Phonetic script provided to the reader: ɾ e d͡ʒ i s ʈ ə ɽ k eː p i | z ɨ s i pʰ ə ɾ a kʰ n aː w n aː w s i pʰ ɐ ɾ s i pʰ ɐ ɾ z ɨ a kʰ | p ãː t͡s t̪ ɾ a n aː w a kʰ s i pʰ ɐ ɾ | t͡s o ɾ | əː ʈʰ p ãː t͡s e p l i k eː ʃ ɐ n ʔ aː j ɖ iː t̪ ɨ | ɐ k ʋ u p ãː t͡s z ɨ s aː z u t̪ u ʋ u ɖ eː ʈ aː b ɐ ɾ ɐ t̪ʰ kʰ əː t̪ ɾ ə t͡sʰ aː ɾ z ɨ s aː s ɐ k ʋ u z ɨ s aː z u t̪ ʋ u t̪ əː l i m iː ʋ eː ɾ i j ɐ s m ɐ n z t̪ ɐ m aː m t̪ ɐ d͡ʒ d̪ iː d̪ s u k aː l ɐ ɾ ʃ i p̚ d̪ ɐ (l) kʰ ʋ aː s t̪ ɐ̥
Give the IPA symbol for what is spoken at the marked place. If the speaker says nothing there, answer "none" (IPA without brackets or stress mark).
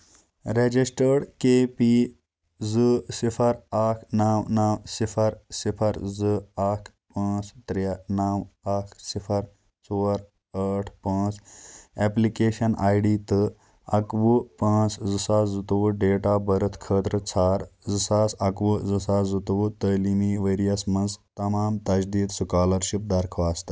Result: ɾ